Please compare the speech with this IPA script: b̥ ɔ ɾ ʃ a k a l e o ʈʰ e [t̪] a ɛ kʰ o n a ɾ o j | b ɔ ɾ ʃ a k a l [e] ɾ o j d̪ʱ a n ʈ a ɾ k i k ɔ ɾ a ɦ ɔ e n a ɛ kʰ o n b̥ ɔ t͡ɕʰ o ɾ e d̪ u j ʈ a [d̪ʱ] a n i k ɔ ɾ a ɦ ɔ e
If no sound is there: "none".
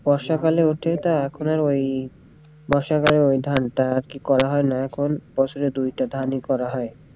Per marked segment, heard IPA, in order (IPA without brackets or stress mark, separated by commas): t̪, e, d̪ʱ